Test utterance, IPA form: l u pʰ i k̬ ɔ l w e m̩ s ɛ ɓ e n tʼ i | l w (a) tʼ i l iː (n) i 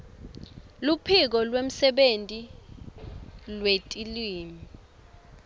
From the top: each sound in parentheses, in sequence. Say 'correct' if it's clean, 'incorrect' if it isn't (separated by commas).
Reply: incorrect, incorrect